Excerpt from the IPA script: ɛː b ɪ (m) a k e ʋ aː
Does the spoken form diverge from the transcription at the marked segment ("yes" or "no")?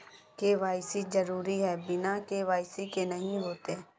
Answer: yes